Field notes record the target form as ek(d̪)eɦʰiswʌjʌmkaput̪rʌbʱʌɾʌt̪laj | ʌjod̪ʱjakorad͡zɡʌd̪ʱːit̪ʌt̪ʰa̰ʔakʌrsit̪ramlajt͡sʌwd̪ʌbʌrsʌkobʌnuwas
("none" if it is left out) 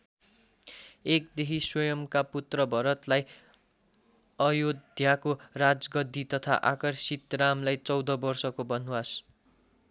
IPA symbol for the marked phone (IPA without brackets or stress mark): d̪